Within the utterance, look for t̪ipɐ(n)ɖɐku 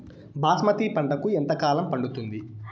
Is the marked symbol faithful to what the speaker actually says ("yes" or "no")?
no